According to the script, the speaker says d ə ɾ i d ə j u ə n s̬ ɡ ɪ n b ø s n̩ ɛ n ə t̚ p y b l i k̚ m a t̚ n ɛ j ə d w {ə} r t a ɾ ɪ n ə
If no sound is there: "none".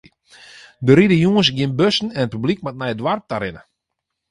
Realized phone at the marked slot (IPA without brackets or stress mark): a